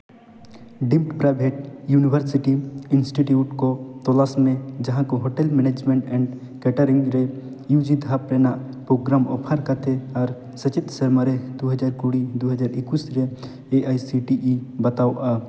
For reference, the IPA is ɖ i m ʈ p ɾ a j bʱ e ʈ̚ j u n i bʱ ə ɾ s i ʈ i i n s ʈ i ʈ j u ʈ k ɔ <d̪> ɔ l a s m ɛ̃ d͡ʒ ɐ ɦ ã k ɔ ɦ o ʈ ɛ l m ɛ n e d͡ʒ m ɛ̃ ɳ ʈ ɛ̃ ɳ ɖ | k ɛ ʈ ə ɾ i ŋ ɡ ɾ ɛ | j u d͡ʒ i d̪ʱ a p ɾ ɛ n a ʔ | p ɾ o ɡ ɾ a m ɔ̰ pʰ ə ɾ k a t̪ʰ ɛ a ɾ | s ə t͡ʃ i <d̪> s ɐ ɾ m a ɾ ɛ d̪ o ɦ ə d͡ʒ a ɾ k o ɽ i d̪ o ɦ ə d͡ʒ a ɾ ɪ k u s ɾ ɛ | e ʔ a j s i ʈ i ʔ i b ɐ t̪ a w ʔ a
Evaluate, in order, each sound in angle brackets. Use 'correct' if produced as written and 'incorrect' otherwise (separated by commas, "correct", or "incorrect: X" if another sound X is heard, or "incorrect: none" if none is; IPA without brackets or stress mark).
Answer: incorrect: t̪, incorrect: t̪